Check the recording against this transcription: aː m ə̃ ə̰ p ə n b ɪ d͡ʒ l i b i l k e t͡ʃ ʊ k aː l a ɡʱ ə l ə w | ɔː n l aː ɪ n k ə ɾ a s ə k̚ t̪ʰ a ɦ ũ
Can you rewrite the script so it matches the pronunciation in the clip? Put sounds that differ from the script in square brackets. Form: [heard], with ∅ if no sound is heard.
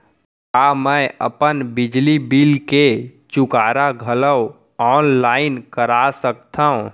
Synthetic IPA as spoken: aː m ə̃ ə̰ p ə n b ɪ d͡ʒ l i b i l k e t͡ʃ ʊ k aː [ɾ] a ɡʱ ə l ə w | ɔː n l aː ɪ n k ə ɾ a s ə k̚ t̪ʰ a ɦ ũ

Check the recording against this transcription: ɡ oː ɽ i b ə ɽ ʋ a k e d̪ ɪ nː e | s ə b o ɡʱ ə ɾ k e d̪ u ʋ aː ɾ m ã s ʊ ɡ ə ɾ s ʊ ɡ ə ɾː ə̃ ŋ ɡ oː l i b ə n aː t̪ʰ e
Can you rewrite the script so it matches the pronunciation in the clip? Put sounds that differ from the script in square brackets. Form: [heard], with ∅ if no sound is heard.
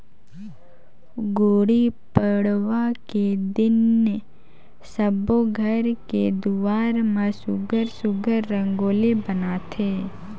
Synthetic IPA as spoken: ɡ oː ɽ i [p] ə ɽ ʋ a k e d̪ ɪ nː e | s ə b o ɡʱ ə ɾ k e d̪ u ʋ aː ɾ m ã s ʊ ɡ ə ɾ s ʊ ɡ ə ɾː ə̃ ŋ ɡ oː l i b ə n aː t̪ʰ e

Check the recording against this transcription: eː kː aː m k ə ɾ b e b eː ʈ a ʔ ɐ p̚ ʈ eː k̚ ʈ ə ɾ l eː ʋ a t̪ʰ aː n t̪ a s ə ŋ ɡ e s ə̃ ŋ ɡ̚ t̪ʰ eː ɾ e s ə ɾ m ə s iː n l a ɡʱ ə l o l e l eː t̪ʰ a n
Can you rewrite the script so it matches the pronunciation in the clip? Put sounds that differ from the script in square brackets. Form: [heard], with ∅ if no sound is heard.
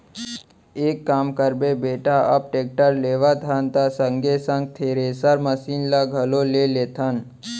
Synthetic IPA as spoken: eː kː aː m k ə ɾ b e b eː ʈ a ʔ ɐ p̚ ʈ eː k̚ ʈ ə ɾ l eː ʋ a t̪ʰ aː n t̪ a s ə ŋ ɡ e s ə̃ ŋ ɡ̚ t̪ʰ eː ɾ e s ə ɾ m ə s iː n l a ɡʱ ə l o l e l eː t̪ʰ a n

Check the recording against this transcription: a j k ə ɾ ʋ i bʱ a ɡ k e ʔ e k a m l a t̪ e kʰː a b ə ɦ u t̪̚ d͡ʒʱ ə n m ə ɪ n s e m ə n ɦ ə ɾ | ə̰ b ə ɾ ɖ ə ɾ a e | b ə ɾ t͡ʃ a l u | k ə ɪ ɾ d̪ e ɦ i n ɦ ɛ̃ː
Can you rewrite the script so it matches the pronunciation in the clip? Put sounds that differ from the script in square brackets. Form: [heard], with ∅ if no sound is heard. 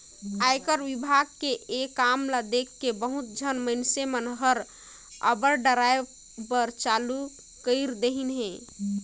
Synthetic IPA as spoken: a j k ə ɾ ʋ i bʱ a ɡ k e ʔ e k a m l a [d̪] e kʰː [e] b ə ɦ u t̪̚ d͡ʒʱ ə n m ə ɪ n s e m ə n ɦ ə ɾ | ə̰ b ə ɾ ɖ ə ɾ a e | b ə ɾ t͡ʃ a l u | k ə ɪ ɾ d̪ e ɦ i n ɦ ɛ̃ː

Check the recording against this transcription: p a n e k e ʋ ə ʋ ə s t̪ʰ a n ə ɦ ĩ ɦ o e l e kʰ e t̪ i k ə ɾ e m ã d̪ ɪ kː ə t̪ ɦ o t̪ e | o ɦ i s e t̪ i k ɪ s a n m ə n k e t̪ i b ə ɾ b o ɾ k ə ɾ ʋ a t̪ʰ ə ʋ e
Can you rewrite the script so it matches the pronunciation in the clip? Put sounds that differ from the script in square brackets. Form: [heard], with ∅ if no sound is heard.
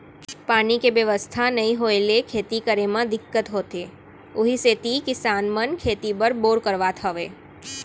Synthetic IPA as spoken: p a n [i] k e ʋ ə ʋ ə s t̪ʰ a n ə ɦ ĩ ɦ o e l e kʰ e t̪ i k ə ɾ e m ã d̪ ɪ kː ə t̪ ɦ o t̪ e | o ɦ i s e t̪ i k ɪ s a n m ə n [kʰ] e t̪ i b ə ɾ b o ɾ k ə ɾ ʋ a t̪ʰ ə ʋ e

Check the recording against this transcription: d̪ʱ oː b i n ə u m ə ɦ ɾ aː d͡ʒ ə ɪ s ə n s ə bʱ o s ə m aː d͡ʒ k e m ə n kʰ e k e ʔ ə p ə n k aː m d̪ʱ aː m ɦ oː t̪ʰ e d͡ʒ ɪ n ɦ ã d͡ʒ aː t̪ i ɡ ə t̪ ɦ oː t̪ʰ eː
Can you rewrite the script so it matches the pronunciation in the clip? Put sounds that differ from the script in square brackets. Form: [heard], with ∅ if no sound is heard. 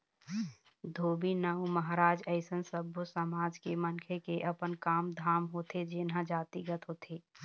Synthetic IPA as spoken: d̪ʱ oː b i n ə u m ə ɦ ɾ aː d͡ʒ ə ɪ s ə n s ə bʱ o s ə m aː d͡ʒ k e m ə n kʰ e k e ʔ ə p ə n k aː m d̪ʱ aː m ɦ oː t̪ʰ e d͡ʒ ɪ n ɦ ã d͡ʒ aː t̪ i ɡ ə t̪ ɦ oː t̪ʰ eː

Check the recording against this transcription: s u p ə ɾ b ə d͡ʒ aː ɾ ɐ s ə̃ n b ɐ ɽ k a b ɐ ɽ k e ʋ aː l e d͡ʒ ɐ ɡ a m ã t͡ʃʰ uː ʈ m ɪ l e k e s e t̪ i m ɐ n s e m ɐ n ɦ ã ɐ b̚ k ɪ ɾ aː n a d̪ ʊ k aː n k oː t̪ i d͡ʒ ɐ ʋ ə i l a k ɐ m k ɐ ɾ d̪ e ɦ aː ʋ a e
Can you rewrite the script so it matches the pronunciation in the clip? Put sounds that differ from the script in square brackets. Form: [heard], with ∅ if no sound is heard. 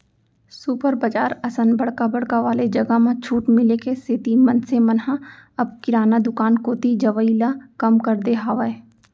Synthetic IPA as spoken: s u p ə ɾ b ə d͡ʒ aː ɾ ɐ s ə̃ n b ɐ ɽ k a b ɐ ɽ k [a] ʋ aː l e d͡ʒ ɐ ɡ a m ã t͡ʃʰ uː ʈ m ɪ l e k e s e t̪ i m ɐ n s e m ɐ n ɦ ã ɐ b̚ k ɪ ɾ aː n a d̪ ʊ k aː n k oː t̪ i d͡ʒ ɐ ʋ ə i l a k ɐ m k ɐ ɾ d̪ e ɦ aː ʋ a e

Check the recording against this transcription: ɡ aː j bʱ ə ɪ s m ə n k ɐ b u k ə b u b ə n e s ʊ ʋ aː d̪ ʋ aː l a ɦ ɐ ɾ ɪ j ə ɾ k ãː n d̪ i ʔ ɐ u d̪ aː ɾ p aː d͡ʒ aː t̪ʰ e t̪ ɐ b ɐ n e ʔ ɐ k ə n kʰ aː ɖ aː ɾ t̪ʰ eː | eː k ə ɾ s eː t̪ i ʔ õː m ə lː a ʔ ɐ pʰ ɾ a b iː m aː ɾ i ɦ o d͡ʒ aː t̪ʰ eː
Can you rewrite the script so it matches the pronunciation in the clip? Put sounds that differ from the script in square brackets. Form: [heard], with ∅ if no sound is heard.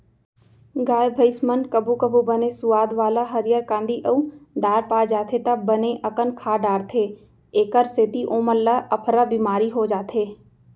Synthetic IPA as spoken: ɡ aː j bʱ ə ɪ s m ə n k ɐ b u k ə b u b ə n e s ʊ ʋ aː d̪ ʋ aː l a ɦ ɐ ɾ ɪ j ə ɾ k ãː n d̪ i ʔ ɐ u d̪ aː ɾ p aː d͡ʒ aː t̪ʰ e t̪ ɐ b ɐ n e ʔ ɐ k ə n kʰ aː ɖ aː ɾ t̪ʰ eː | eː k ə ɾ s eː t̪ i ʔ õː m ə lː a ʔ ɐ pʰ ɾ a b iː m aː ɾ i ɦ o d͡ʒ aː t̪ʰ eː

